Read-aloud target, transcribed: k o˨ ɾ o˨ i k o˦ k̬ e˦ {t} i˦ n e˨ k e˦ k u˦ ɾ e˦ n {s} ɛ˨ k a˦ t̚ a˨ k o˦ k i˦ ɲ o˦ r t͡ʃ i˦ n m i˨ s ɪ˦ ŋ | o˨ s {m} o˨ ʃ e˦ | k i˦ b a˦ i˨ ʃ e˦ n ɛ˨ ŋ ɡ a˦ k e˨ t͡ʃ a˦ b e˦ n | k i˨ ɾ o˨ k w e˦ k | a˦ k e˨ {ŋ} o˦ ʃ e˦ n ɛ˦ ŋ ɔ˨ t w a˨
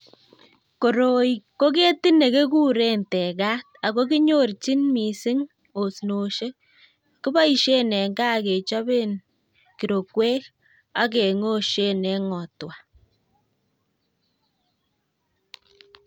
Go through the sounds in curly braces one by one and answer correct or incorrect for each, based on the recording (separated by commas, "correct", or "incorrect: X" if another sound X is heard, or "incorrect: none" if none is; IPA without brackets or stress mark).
correct, incorrect: t, incorrect: n, correct